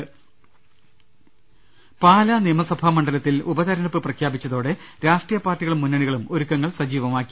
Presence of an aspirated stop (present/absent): present